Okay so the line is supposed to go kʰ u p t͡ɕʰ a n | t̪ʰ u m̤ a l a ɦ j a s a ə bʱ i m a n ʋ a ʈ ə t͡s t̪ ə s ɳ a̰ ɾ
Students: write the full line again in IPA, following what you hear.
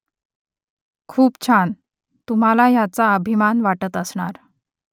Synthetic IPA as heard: kʰ uː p t͡ɕʰ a n | t̪ u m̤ a l a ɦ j a t͡s a ə bʱ i m a n ʋ a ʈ ə t̪ ə s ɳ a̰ ɾ